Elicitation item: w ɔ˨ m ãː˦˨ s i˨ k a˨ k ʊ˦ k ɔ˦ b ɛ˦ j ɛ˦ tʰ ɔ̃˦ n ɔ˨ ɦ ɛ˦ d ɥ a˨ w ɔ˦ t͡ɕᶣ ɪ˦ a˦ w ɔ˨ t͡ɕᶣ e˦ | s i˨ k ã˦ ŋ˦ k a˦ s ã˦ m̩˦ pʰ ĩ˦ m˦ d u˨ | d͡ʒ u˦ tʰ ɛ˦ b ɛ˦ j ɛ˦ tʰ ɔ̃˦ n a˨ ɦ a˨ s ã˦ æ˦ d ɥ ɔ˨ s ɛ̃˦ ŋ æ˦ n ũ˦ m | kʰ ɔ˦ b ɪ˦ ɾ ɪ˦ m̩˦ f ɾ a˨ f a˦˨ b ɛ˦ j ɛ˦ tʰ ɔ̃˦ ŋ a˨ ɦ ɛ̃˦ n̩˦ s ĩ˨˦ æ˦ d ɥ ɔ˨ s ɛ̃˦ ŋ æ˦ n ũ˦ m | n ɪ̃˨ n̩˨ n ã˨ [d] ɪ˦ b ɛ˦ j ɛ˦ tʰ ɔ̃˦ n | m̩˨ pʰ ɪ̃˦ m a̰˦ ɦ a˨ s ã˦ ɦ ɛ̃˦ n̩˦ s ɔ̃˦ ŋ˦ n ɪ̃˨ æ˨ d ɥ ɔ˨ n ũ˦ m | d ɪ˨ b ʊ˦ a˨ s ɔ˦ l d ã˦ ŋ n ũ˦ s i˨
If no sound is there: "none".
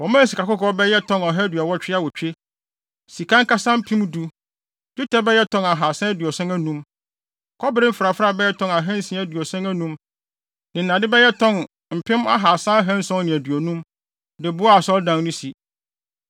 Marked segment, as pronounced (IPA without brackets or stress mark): d